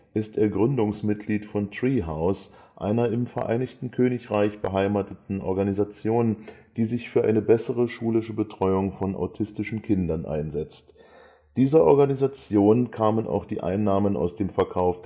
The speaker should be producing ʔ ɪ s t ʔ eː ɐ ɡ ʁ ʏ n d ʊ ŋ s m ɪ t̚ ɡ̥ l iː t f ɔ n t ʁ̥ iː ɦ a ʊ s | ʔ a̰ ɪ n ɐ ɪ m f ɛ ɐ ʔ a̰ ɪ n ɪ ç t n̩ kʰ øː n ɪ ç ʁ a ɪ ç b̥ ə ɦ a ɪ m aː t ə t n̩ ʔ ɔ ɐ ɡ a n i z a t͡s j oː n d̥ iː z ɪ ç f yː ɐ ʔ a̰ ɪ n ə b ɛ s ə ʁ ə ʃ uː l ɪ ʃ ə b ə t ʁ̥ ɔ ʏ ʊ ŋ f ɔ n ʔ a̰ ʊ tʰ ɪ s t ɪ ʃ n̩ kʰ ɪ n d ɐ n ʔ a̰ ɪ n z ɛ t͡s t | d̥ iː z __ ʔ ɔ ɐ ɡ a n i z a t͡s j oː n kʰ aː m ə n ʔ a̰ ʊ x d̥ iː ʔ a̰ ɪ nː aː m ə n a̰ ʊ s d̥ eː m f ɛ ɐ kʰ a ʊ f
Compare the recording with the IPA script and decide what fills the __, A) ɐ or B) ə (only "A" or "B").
A